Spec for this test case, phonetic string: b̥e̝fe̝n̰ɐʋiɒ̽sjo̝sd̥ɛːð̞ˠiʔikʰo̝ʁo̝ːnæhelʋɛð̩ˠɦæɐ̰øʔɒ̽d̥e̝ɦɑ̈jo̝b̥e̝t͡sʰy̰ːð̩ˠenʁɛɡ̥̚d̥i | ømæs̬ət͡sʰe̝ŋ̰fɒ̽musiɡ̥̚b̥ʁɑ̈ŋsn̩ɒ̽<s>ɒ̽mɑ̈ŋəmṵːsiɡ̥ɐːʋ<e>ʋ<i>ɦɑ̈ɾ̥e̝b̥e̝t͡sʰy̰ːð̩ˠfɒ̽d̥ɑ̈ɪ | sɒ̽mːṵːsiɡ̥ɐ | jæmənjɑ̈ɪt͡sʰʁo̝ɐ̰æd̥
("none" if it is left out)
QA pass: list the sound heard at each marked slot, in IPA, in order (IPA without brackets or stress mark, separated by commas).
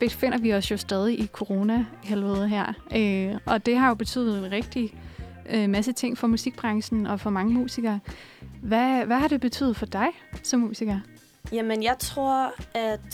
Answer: f, æ, æ